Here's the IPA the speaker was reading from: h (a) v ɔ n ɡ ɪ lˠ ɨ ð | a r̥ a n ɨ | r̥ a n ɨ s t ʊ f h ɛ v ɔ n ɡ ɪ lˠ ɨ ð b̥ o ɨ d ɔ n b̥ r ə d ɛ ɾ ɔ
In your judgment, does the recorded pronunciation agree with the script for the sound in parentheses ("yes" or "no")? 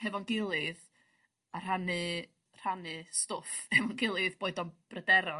no